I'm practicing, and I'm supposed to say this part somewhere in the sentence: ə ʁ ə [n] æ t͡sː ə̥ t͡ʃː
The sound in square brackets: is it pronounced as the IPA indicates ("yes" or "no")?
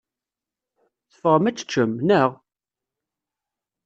no